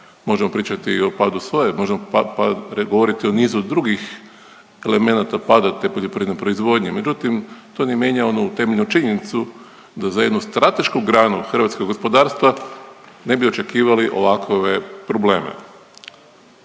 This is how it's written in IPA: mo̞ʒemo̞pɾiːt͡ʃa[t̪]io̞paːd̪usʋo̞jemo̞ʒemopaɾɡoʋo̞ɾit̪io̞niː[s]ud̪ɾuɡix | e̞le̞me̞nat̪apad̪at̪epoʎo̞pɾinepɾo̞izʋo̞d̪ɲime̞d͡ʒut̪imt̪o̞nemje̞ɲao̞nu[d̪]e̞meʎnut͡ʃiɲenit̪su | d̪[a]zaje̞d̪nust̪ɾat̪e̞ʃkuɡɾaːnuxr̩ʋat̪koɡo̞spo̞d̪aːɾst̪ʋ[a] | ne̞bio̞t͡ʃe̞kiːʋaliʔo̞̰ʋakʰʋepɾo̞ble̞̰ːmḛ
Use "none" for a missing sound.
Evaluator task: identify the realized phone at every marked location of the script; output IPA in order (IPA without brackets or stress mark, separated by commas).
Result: t̪, z, t̪, a, a